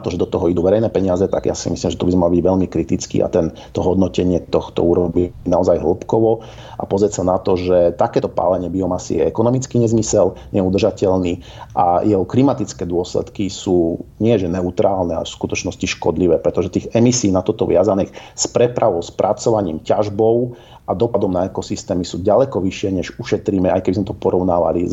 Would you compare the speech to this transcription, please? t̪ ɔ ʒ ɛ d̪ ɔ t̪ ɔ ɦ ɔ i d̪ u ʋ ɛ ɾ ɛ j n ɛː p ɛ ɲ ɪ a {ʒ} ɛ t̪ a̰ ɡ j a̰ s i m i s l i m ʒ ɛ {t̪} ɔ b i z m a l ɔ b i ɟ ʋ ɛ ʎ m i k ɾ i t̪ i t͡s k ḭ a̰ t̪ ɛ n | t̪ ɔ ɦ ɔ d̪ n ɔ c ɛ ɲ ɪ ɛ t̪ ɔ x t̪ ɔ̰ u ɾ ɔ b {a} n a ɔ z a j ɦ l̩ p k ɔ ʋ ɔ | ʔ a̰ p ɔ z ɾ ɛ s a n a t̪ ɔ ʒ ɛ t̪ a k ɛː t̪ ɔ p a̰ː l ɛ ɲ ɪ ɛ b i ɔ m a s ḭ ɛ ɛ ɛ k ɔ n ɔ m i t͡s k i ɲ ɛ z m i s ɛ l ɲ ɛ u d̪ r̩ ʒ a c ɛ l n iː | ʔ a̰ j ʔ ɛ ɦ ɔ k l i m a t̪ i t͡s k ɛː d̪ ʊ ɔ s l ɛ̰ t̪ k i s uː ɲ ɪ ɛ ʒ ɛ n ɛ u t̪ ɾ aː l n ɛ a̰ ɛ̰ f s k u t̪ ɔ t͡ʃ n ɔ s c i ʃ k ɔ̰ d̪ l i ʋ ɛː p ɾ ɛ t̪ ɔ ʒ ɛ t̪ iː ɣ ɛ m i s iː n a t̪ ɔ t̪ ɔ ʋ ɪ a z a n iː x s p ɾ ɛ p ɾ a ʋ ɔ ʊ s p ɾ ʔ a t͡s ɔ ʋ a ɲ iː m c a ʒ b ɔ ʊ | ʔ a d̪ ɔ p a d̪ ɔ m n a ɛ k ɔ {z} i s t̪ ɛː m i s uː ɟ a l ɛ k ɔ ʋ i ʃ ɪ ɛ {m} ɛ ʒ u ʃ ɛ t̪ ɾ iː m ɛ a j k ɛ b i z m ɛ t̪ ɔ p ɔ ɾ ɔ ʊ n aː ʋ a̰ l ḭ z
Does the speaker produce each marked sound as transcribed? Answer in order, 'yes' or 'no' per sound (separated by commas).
no, yes, no, no, no